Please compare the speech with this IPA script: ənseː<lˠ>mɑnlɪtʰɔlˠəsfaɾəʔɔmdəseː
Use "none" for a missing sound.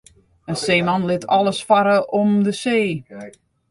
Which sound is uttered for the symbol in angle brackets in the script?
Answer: none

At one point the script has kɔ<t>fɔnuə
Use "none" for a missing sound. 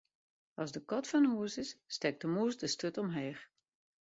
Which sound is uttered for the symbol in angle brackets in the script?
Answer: t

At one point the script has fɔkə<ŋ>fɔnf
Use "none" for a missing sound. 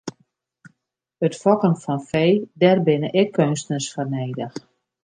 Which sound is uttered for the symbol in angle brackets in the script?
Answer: n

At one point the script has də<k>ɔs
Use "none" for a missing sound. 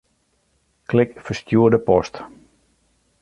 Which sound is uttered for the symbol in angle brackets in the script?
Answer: p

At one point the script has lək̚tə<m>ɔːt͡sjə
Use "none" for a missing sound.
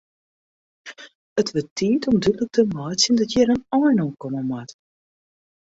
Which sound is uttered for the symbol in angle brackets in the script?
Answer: m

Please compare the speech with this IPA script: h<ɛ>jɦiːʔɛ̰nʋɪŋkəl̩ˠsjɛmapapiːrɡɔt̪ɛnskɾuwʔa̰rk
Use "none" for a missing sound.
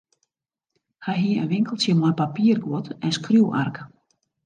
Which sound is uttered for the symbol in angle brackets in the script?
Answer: a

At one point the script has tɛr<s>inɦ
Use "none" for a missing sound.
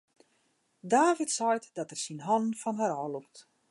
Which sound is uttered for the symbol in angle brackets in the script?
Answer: s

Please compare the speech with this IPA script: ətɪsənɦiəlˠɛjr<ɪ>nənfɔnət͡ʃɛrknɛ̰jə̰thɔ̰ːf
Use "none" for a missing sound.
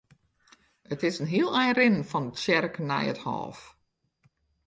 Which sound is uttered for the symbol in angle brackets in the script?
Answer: ɪ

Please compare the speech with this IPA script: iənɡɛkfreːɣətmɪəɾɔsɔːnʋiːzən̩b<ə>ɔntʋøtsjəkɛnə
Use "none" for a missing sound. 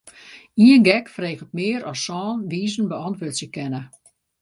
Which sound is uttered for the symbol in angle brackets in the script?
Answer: ə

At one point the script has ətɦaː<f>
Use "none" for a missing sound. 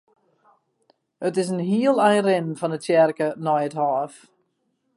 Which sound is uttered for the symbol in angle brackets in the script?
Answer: f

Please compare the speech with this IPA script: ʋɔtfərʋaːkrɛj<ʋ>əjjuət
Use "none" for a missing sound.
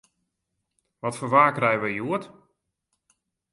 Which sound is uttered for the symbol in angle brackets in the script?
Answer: ʋ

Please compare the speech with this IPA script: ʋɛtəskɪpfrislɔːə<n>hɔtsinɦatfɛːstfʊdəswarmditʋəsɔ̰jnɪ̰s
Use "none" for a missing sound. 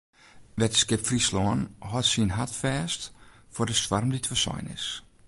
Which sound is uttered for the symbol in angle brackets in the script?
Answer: n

